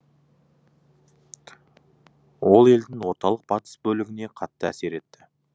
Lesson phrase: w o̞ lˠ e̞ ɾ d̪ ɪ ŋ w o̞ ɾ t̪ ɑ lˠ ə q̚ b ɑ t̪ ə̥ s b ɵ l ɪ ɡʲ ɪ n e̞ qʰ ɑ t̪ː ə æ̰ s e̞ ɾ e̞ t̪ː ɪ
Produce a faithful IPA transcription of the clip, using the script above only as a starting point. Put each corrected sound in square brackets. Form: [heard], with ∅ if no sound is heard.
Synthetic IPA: w o̞ lˠ e̞ [l] d̪ ɪ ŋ w o̞ ɾ t̪ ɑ lˠ ə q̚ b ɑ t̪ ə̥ s b ɵ l ɪ ɡʲ ɪ n e̞ qʰ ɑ t̪ː ə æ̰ s e̞ ɾ e̞ t̪ː ɪ